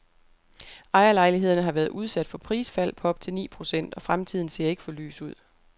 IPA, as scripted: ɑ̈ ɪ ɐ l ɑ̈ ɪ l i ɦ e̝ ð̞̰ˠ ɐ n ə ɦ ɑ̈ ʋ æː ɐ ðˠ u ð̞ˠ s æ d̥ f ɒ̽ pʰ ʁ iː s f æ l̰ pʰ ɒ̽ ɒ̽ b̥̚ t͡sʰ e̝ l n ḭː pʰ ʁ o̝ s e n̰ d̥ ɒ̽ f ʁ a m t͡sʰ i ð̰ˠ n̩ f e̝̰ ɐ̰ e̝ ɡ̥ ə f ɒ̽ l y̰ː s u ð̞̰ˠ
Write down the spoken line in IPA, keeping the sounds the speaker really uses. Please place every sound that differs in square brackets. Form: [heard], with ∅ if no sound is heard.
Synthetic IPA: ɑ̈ ɪ ɐ l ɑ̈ ɪ l i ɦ e̝ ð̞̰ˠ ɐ n ə ɦ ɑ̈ ʋ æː ɐ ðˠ u ð̞ˠ s æ d̥ f ɒ̽ pʰ ʁ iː s f æ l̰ pʰ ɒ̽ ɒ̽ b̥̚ t͡sʰ e̝ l n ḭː pʰ ʁ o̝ s e n̰ d̥ ɒ̽ f ʁ a m t͡sʰ i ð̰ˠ n̩ [s] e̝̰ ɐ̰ e̝ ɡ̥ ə f ɒ̽ l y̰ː s u ð̞̰ˠ